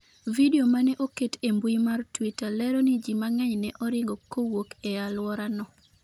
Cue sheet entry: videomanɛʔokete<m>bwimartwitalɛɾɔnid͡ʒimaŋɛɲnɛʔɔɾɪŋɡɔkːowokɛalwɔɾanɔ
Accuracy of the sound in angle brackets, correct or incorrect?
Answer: correct